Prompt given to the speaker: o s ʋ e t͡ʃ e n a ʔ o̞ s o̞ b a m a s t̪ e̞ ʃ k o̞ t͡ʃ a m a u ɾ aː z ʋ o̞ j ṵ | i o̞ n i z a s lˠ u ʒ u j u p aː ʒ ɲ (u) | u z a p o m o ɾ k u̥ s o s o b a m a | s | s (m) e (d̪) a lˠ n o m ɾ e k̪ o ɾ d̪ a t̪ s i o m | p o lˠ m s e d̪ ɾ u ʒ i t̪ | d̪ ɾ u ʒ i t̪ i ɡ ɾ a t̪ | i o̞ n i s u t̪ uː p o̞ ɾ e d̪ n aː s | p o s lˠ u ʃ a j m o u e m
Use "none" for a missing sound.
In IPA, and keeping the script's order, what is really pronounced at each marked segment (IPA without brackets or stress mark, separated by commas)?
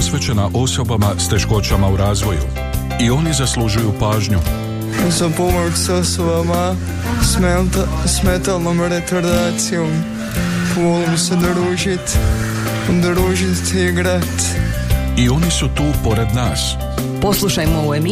u, m, t̪